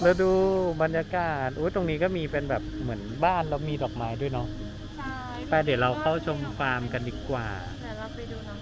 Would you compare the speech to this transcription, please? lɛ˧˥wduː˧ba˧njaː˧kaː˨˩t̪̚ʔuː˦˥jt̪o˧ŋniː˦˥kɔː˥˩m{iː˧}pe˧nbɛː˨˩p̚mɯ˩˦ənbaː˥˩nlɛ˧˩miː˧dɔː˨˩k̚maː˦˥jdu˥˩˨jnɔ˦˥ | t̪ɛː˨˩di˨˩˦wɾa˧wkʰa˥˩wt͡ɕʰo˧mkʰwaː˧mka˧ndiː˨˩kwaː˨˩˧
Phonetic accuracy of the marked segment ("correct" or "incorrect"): correct